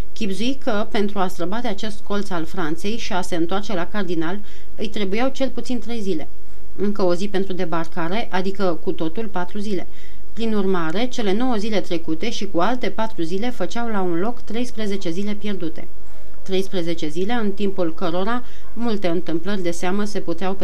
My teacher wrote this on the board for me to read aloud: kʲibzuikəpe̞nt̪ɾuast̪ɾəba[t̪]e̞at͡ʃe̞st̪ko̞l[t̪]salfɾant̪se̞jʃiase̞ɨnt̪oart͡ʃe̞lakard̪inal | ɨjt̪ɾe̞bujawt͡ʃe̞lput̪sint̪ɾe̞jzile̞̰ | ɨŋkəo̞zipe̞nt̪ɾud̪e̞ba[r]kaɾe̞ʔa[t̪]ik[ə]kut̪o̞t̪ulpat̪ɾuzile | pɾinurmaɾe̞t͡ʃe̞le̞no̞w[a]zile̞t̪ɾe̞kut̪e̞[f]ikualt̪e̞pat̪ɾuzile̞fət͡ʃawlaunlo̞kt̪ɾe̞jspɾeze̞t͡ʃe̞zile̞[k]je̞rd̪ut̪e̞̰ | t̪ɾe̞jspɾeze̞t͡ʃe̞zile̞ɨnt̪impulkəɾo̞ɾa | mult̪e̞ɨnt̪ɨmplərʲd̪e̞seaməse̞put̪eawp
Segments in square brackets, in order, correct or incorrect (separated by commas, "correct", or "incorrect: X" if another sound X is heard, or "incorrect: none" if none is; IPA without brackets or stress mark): incorrect: d̪, correct, correct, incorrect: d̪, correct, incorrect: ə, incorrect: ʃ, incorrect: p